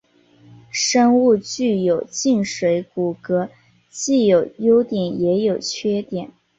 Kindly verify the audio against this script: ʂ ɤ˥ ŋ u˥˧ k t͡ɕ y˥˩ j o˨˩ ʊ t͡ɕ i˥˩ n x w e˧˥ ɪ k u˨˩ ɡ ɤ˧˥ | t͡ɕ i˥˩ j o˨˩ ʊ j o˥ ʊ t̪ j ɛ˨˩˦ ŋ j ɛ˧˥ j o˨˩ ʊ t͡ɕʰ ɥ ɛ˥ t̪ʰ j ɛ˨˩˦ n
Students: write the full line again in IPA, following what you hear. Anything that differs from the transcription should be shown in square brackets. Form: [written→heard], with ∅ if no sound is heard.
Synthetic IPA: ʂ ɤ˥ ŋ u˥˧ [k→∅] t͡ɕ y˥˩ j o˨˩ ʊ t͡ɕ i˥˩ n [x→ʂ] w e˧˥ ɪ k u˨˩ [ɡ→k] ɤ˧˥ | t͡ɕ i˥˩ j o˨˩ ʊ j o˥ ʊ t̪ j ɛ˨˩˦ [ŋ→n] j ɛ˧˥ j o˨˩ ʊ t͡ɕʰ ɥ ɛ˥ [t̪ʰ→t̪] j ɛ˨˩˦ n